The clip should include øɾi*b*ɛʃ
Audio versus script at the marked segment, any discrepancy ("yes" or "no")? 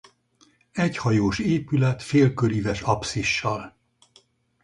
yes